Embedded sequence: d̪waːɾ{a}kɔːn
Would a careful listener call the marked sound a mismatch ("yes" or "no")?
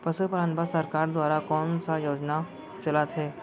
no